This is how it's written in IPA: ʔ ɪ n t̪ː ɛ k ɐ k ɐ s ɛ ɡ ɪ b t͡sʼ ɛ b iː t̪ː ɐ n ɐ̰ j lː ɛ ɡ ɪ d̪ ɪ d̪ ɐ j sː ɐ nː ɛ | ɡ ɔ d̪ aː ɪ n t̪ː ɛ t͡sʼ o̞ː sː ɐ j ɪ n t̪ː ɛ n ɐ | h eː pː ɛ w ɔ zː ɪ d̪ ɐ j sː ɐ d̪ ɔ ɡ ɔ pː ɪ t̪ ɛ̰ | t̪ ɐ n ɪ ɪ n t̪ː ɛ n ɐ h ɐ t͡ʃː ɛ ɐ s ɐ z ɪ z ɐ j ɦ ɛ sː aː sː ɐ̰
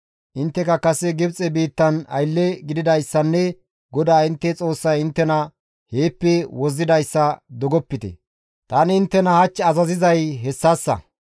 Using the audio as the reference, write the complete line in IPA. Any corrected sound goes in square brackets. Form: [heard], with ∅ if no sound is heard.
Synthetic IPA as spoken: ʔ ɪ n t̪ː ɛ k ɐ k ɐ s ɛ ɡ ɪ b t͡sʼ ɛ b iː t̪ː ɐ n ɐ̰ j lː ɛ ɡ ɪ d̪ ɪ d̪ ɐ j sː ɐ nː ɛ | ɡ ɔ d̪ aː ɪ n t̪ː ɛ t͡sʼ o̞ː sː ɐ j ɪ n t̪ː ɛ n ɐ | h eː pː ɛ w ɔ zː ɪ d̪ ɐ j sː ɐ d̪ ɔ ɡ ɔ pː ɪ t̪ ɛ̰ | t̪ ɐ n ɪ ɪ n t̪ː ɛ n ɐ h ɐ t͡ʃː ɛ ɐ [z] ɐ z ɪ z ɐ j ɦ ɛ sː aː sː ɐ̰